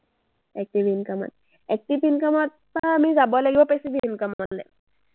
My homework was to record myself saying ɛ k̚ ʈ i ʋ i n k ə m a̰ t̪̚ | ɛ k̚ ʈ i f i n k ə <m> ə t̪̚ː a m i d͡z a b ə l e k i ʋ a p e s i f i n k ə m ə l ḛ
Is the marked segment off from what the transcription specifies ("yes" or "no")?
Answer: no